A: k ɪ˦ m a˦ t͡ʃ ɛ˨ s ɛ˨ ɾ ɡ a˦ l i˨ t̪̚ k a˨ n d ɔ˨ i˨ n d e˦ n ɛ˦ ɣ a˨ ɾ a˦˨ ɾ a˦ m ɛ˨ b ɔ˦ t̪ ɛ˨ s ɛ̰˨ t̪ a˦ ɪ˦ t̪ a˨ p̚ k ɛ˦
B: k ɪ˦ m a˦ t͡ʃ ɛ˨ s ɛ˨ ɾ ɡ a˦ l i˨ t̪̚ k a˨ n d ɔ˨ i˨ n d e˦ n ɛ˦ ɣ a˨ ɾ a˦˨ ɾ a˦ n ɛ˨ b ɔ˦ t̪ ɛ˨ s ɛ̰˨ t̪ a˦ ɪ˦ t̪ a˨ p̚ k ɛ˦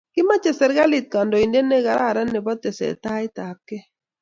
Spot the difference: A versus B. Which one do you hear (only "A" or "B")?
B